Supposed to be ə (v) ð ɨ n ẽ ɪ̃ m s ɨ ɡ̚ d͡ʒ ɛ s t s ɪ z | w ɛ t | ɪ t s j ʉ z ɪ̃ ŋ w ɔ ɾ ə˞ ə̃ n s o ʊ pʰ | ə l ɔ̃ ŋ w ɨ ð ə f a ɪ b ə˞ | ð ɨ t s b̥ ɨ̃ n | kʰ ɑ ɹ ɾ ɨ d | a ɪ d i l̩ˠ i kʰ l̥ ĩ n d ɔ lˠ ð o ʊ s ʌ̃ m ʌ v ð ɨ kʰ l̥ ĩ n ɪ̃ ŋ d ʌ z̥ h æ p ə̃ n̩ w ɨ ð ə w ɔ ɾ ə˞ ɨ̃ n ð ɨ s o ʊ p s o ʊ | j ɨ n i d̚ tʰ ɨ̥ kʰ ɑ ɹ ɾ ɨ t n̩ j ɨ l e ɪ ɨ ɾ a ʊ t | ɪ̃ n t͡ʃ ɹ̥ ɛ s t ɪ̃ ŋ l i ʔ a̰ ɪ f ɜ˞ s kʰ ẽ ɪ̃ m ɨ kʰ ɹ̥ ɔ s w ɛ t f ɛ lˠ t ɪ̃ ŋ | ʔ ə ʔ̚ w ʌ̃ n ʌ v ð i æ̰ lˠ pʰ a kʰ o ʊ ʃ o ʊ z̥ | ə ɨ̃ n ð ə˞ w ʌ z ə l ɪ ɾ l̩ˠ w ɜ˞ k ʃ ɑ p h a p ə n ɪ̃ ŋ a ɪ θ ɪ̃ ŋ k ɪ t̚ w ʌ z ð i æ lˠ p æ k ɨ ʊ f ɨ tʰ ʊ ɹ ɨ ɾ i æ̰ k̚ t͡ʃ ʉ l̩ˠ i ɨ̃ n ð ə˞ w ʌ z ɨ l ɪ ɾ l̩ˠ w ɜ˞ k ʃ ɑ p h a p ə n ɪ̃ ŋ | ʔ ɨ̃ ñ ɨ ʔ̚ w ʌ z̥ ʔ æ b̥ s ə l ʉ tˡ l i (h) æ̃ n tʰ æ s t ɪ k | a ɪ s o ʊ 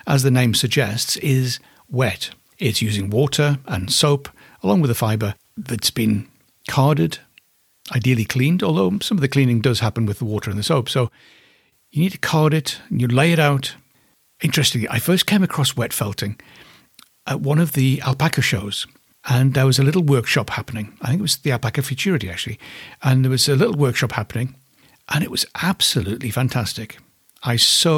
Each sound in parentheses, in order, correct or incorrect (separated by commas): incorrect, incorrect